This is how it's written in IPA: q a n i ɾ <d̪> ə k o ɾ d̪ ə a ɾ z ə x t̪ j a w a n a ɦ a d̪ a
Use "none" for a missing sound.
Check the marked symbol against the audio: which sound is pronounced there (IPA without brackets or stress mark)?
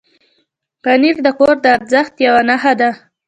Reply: d̪